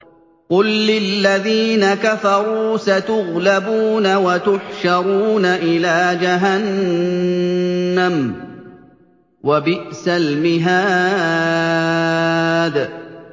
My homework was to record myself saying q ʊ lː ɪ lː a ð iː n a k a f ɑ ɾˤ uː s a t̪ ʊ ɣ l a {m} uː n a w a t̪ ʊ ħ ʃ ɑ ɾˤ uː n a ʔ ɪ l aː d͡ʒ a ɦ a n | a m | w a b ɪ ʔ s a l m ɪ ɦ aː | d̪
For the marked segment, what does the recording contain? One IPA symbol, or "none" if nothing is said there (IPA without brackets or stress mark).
b